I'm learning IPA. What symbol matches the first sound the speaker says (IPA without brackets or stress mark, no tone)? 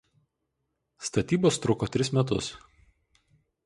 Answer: s